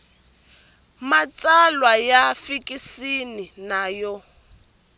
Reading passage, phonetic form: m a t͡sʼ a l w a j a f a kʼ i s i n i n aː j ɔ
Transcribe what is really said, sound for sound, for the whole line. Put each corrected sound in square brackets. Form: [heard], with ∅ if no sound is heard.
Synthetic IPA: m a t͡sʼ a l w a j a f [i] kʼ i s i n i n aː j ɔ